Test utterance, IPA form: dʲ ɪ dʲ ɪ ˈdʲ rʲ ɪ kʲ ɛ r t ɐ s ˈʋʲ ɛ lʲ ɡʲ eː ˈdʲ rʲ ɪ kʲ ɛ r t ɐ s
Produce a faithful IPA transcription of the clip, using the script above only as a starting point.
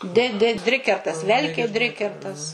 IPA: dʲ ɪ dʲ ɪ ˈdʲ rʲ ɪ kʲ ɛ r t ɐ s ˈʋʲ ɛ lʲ kʲ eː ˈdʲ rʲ ɪ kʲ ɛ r t ɐ s